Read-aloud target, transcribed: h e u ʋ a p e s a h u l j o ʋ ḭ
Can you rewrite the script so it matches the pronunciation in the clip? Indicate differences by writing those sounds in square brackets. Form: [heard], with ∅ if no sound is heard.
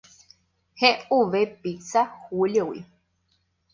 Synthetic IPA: h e u ʋ [e] p [i] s a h u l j o [w] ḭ